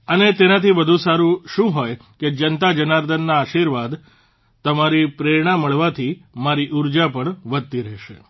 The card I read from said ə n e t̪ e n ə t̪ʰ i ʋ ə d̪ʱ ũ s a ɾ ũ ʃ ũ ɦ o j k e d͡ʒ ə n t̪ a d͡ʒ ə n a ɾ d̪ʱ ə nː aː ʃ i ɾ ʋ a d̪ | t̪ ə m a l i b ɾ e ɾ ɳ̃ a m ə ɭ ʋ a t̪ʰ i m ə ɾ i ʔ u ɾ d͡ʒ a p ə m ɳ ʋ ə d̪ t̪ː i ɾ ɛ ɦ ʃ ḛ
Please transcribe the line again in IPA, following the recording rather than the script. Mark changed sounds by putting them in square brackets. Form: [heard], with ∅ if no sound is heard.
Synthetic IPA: ə n e t̪ e n [a] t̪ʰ i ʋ ə d̪ʱ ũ s a ɾ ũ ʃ ũ ɦ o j k e d͡ʒ ə n t̪ a d͡ʒ ə n a ɾ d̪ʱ ə nː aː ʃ i ɾ ʋ a d̪ | t̪ ə m a [ɾ] i [p] ɾ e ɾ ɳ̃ a m ə ɭ ʋ a t̪ʰ i m [a] ɾ i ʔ u ɾ d͡ʒ a p ə [∅] ɳ ʋ ə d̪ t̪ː i ɾ ɛ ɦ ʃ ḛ